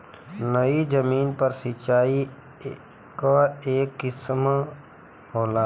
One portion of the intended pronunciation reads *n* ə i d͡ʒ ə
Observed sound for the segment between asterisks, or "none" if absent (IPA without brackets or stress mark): n